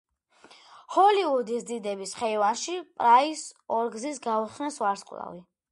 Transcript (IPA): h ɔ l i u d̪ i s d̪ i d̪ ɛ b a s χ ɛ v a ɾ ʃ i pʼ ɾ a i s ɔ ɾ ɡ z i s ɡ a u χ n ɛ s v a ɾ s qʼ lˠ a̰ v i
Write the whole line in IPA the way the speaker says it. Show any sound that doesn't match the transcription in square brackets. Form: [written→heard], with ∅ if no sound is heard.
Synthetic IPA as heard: h ɔ l i u d̪ i s d̪ i d̪ ɛ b [a→i] s χ ɛ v a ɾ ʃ i pʼ ɾ a i s ɔ ɾ ɡ z i s ɡ a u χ n ɛ s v a ɾ s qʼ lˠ a̰ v i